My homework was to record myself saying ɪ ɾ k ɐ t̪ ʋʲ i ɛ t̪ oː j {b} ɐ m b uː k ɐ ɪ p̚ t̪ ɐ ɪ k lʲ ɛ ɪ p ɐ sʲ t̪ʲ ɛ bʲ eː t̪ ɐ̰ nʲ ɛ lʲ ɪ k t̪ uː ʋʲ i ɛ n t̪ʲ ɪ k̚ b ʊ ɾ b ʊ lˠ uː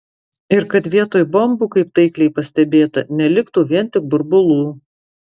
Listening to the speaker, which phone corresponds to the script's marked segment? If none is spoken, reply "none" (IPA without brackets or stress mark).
b